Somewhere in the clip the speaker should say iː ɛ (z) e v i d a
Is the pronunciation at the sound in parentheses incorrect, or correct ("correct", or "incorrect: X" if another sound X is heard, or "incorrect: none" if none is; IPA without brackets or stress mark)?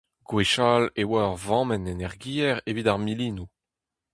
incorrect: ʁ